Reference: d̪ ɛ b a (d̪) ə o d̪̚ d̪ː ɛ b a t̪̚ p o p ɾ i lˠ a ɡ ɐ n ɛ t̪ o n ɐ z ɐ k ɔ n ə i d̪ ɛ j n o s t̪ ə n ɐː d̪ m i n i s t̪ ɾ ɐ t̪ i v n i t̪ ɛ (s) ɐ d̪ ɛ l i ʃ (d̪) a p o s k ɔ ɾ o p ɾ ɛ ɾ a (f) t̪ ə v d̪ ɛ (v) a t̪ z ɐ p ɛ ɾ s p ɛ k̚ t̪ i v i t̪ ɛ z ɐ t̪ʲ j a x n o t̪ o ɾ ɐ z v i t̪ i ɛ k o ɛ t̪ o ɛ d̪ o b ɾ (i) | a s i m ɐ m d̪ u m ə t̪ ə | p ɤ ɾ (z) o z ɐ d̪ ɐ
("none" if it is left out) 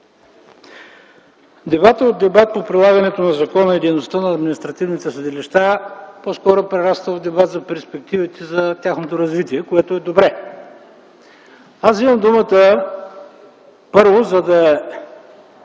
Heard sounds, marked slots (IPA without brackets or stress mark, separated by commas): t̪, s, t̪, s, b, ɛ, v